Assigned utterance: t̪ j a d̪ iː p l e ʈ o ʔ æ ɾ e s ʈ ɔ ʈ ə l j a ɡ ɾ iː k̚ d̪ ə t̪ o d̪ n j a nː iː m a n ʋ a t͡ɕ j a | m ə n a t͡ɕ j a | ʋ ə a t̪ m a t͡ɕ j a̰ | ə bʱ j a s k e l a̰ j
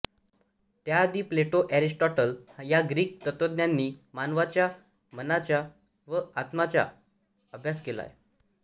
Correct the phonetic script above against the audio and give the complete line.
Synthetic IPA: t̪ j a d̪ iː p l e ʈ o ʔ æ ɾ i s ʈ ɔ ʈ ə l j a ɡ ɾ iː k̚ t̪ ə t̪ o d̪ n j a nː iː m a n ʋ a t͡ɕ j a | m ə n a t͡ɕ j a | ʋ ə a t̪ m a t͡ɕ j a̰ | ə bʱ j a s k e l a̰ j